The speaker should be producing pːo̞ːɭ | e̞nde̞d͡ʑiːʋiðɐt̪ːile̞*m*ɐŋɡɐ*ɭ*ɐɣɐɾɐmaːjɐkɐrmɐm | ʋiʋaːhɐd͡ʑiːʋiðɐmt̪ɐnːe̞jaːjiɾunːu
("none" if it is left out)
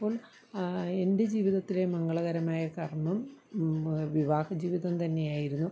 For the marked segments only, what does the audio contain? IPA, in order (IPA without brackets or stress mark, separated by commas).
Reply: m, ɭ